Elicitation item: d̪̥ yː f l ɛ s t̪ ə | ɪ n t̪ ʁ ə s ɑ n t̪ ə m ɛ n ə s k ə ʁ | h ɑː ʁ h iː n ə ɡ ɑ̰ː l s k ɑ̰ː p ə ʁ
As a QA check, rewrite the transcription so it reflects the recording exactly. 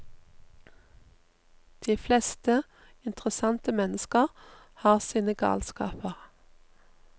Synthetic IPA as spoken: d̪̥ iː f l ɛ s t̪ ə | ɪ n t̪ ʁ ə s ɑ n t̪ ə m ɛ n ə s k ə ʁ | h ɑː ʁ s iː n ə ɡ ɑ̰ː l s k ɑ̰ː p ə ʁ